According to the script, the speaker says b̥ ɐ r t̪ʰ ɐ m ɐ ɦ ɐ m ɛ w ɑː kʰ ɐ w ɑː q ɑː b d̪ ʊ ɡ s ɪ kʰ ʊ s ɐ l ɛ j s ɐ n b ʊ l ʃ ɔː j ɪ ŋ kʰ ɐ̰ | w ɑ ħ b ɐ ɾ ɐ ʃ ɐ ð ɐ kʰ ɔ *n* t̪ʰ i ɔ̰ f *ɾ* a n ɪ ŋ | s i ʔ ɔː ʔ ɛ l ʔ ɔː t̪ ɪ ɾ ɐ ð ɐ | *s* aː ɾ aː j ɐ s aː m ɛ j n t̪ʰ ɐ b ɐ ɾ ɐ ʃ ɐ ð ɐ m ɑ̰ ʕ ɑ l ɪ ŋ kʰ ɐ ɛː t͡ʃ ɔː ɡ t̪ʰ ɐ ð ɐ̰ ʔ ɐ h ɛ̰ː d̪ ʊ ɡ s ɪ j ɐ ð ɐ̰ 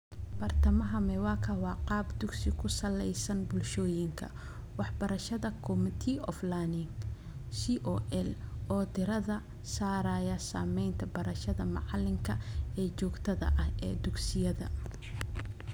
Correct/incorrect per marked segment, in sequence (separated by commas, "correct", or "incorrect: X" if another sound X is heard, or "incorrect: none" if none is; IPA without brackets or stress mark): incorrect: m, incorrect: l, correct